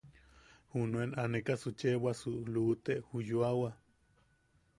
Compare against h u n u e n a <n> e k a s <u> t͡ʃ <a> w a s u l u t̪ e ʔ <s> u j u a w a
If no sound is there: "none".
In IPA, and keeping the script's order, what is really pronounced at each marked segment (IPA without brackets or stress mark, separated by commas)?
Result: n, u, e, h